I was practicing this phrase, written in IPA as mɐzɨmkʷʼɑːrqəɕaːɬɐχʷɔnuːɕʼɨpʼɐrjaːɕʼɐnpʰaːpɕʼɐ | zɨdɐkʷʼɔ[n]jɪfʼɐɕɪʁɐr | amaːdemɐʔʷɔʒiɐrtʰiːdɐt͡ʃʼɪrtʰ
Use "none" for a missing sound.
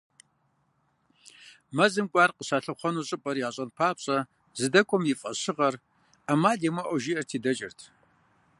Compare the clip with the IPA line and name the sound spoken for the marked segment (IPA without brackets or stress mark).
m